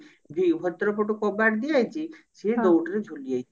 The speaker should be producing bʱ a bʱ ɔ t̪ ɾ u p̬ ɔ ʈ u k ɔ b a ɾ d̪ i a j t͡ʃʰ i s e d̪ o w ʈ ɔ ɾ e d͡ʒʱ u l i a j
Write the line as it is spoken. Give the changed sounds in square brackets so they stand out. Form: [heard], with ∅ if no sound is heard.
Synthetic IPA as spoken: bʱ [i] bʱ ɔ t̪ ɾ [ɔ] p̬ ɔ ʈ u k ɔ b a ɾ d̪ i a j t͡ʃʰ i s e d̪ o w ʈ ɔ ɾ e d͡ʒʱ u l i a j